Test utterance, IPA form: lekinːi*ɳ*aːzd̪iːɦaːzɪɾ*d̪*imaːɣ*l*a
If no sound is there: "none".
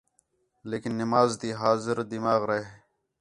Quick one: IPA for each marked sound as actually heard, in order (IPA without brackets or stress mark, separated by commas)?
m, d̪, ɾ